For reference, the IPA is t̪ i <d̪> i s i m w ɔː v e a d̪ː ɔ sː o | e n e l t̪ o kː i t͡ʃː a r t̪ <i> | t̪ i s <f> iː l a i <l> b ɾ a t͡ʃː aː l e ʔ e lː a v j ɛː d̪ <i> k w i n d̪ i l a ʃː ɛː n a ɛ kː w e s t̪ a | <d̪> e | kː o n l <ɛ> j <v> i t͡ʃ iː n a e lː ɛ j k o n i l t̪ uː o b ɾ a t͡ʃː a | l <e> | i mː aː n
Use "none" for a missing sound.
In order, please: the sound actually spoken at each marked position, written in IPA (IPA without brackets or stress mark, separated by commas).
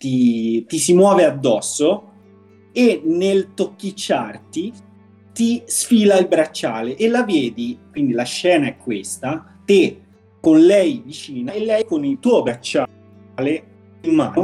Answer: t̪, i, f, l, i, t̪, ɛ, v, e